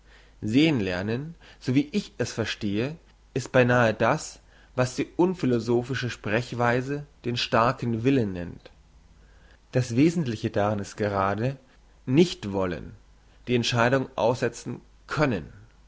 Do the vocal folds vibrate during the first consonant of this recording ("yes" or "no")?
yes